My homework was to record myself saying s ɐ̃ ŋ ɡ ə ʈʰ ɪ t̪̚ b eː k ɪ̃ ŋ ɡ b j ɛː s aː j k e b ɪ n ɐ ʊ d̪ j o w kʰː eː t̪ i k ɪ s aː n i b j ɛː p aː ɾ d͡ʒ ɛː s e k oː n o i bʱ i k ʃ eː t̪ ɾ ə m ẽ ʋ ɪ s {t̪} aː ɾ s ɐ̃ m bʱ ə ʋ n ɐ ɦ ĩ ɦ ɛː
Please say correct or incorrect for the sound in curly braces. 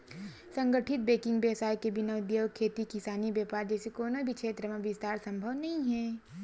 correct